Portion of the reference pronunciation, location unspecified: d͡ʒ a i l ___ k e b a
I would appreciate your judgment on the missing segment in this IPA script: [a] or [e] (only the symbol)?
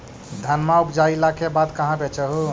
a